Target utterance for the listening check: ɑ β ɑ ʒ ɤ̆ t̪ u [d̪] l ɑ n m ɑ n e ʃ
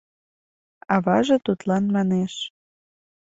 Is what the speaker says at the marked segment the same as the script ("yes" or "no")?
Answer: no